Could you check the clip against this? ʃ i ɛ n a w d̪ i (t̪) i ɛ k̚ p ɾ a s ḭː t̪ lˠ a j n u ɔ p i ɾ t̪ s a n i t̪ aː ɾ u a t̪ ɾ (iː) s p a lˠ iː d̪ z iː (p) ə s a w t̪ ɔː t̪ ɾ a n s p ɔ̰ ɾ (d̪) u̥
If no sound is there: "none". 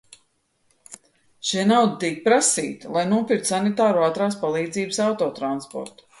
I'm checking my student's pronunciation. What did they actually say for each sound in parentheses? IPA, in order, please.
t̪, aː, b, t̪

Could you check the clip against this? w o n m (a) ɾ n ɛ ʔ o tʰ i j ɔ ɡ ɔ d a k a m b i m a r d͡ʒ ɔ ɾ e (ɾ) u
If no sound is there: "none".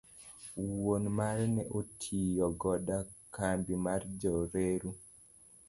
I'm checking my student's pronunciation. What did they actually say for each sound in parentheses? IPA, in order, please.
a, ɾ

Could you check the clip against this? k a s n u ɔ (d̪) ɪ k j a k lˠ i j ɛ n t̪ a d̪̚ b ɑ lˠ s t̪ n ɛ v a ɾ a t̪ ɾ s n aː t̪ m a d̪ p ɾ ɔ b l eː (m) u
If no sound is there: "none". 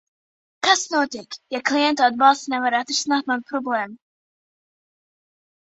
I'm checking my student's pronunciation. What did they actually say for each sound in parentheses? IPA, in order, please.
t̪, m

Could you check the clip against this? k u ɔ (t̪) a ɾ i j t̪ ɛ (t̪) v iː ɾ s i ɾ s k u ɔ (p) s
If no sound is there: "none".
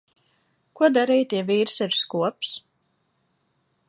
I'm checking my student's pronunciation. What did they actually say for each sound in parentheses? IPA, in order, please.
d̪, none, p

